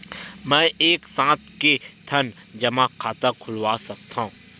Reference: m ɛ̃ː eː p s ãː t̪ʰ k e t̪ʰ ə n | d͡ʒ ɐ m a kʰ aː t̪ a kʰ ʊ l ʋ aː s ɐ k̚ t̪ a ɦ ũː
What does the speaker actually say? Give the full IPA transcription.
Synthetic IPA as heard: m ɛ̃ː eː k s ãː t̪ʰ k e t̪ʰ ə n | d͡ʒ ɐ m a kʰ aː t̪ a kʰ ʊ l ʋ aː s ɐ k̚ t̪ a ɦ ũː